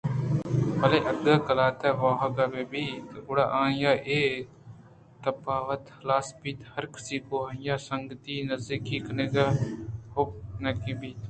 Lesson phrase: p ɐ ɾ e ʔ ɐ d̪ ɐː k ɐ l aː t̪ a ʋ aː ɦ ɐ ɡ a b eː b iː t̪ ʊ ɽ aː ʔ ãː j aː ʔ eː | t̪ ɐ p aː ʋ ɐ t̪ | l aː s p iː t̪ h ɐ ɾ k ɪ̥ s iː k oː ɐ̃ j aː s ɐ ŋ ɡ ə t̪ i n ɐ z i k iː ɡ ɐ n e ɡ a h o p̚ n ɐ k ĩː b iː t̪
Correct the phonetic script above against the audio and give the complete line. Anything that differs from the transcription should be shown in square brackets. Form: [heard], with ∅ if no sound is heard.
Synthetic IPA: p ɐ [l] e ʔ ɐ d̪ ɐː k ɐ l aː t̪ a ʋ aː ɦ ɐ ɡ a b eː b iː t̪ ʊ ɽ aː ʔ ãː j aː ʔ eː | t̪ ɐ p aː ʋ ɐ t̪ | l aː s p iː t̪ h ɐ ɾ k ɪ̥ s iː k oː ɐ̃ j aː s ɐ ŋ ɡ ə t̪ i n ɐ z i k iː [k] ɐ n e ɡ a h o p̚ n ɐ k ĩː b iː t̪